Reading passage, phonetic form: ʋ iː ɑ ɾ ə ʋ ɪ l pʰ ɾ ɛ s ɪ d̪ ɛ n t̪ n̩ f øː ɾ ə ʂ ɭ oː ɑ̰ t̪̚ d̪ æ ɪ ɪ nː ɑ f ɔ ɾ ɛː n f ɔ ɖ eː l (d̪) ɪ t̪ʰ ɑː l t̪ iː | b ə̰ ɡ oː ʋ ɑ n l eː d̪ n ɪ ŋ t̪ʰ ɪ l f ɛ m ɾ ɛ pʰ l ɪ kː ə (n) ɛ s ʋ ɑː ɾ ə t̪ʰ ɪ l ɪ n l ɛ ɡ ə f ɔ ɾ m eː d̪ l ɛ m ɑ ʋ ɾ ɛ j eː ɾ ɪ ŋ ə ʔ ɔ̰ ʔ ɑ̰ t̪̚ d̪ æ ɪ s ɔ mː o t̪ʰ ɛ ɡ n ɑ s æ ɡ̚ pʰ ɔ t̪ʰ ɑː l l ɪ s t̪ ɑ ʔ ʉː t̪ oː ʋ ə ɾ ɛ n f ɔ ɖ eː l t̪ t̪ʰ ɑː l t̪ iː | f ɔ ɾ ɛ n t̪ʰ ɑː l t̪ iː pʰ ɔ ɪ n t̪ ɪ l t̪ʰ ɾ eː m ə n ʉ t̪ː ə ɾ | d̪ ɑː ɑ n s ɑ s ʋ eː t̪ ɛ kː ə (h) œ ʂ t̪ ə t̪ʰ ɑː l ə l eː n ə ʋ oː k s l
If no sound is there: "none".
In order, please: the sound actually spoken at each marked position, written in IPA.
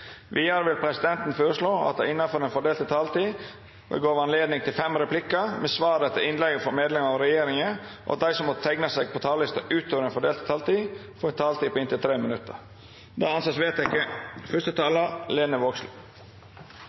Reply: t̪, m, f

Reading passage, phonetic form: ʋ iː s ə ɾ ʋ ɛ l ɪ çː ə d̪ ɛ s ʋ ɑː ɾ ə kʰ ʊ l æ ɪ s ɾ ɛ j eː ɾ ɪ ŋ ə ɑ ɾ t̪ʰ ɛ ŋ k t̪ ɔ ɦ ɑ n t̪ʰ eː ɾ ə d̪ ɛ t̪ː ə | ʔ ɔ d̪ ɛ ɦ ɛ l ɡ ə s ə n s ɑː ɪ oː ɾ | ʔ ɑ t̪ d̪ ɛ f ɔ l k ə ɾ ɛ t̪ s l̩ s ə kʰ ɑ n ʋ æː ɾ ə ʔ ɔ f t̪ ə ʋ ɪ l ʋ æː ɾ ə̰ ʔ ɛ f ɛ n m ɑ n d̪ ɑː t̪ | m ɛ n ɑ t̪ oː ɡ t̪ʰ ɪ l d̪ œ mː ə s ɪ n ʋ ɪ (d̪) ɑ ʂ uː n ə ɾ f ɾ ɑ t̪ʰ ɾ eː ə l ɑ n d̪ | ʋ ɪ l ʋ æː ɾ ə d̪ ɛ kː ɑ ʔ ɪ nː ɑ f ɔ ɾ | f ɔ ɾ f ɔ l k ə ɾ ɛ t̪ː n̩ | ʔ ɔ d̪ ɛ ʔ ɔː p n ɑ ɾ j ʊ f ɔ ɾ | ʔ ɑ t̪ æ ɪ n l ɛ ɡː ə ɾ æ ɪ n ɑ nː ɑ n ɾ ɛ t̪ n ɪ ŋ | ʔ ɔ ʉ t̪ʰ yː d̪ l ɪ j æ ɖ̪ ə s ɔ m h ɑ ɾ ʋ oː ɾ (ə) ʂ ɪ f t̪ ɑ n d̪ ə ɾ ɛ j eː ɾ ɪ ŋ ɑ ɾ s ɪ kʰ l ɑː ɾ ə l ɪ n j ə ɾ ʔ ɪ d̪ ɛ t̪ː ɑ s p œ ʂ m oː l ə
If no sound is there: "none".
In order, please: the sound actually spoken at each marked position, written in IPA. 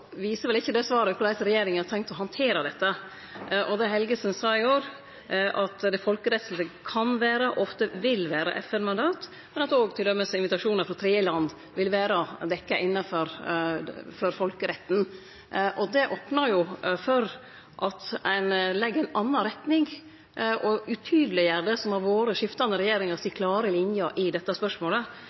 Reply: t̪, ə

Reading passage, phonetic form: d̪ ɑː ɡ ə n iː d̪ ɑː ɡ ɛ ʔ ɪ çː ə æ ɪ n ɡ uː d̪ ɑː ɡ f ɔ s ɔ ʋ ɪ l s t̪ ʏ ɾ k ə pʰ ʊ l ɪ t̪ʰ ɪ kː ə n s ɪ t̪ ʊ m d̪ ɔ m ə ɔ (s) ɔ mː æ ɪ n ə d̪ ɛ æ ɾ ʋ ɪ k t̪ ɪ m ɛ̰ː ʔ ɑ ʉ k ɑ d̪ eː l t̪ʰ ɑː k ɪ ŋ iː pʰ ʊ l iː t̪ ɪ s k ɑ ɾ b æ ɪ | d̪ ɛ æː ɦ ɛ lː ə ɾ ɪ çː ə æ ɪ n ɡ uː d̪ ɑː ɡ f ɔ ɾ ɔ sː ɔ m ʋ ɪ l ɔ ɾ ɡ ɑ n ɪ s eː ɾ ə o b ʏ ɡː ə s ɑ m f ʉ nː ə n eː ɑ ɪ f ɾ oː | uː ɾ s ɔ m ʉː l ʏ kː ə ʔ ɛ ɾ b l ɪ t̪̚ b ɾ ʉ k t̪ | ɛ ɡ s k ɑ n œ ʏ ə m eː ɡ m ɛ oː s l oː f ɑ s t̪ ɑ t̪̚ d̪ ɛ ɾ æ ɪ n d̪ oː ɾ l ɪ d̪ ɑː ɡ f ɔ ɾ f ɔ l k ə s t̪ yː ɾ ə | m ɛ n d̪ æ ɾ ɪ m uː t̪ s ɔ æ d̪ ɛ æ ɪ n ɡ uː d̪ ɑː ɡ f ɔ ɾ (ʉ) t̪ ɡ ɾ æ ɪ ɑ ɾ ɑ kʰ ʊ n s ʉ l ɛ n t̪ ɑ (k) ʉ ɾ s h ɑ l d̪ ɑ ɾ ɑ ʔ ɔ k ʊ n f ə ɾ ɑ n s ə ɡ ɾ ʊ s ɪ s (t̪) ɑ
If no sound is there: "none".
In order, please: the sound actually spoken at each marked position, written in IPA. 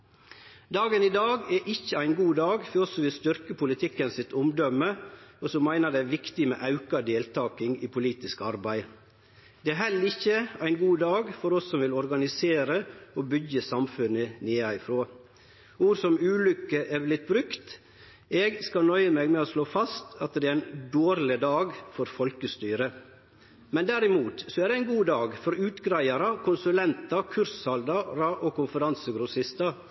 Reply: s, ʉː, kʰ, t̪

